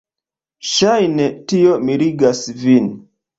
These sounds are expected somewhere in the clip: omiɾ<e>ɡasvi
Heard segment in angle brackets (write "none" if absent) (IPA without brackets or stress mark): i